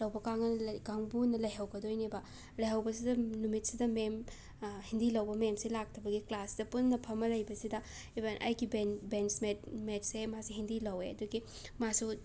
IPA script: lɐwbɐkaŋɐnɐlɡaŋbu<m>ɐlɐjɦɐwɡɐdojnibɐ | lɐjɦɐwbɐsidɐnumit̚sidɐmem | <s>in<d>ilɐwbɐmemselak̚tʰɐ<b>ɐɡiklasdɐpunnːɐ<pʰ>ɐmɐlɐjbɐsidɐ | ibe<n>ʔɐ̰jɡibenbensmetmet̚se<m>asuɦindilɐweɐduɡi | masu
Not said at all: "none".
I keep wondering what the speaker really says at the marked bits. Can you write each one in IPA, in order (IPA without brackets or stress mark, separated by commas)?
n, h, d, b, pʰ, n, m